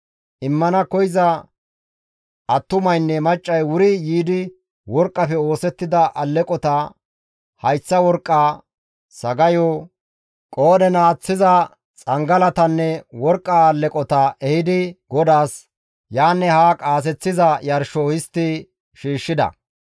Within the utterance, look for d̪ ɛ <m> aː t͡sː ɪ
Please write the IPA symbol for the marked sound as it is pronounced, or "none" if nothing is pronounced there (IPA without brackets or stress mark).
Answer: n